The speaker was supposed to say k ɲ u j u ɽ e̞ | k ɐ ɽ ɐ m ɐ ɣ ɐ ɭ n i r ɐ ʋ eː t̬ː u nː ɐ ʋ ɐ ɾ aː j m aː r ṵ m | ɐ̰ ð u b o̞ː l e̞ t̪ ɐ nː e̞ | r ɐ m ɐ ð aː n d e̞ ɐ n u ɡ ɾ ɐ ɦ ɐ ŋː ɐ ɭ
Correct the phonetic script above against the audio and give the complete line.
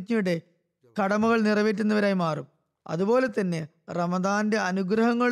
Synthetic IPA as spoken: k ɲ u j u ɽ e̞ | k ɐ ɽ ɐ m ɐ ɣ ɐ ɭ n i r ɐ ʋ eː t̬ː u nː ɐ ʋ ɐ ɾ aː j m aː r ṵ m | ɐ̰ ð u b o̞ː l e̞ t̪ ɐ nː e̞ | r ɐ m ɐ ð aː n d e̞ ɐ n u ɡ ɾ ɐ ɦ ɐ ŋː ɐ ɭ